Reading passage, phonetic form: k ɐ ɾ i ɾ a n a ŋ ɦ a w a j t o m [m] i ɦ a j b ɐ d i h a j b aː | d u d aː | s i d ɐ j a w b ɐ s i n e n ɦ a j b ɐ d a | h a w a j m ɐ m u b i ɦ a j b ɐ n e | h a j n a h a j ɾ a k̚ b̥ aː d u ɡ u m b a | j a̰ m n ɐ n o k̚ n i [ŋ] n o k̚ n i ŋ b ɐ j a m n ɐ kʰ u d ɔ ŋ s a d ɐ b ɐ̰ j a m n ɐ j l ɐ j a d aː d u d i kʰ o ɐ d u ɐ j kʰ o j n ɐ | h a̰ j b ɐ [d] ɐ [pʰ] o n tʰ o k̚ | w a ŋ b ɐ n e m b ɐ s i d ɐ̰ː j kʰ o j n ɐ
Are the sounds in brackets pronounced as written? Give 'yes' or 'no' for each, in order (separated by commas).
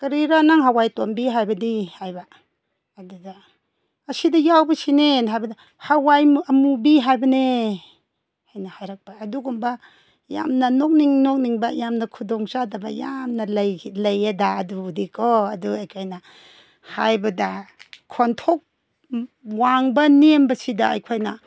no, yes, yes, no